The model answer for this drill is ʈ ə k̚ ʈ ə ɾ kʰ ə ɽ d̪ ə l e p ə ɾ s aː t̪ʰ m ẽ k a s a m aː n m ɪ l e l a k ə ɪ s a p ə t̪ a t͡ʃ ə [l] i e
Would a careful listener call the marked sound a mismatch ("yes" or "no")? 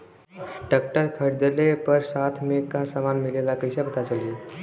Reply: no